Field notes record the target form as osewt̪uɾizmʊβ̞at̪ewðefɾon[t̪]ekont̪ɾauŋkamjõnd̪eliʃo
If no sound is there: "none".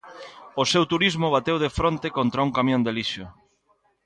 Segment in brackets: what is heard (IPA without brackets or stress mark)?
t̪